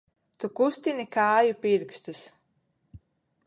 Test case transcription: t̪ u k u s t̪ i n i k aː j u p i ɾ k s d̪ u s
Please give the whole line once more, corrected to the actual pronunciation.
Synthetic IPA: t̪ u k u s t̪ i n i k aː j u p i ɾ k s t̪ u s